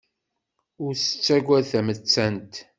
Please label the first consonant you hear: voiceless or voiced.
voiced